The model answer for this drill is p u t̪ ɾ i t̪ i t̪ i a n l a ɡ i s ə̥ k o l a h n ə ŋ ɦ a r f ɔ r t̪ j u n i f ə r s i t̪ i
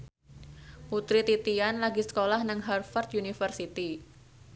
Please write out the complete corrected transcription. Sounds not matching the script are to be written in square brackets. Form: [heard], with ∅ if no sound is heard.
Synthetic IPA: p u t̪ ɾ i t̪ i t̪ i a n l a ɡ i s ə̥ k o l a h n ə ŋ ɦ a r f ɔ r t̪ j u n i f ə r s i t̪ i